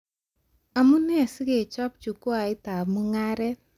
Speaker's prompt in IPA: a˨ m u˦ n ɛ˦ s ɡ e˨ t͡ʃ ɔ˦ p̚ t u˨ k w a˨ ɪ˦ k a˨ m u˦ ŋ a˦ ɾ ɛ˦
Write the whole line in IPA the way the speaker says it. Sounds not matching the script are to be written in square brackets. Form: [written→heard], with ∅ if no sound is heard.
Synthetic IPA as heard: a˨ m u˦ n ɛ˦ s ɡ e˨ t͡ʃ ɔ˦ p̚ [t→t͡ʃ] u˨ k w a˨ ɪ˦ [k→t] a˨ m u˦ ŋ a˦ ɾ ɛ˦